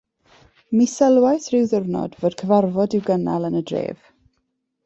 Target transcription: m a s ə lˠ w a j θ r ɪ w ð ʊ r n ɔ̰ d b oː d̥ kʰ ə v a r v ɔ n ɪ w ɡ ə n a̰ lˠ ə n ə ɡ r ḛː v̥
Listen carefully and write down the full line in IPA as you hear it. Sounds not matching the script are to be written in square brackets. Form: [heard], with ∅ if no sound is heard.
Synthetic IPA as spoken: m [i] s ə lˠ w a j θ r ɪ w ð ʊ r n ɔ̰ d [v] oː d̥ kʰ ə v a r v ɔ [d] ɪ w ɡ ə n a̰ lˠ ə n ə [d] r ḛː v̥